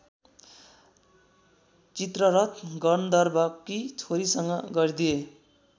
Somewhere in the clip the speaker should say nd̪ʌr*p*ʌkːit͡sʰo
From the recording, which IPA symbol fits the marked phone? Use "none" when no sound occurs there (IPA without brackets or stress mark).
b